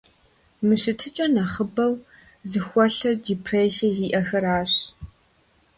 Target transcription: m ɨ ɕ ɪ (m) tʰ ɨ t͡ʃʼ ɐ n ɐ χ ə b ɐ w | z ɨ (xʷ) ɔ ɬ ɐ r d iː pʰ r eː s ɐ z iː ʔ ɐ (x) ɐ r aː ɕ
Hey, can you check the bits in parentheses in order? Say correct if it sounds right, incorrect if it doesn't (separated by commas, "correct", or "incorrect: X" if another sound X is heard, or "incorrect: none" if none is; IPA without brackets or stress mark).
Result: incorrect: none, correct, correct